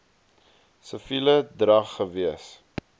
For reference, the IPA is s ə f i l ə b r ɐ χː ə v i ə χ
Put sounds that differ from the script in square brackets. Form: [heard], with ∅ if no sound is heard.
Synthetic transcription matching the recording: s ə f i l ə [d] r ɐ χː ə v i ə [s]